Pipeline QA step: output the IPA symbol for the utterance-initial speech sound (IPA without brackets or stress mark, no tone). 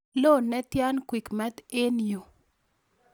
l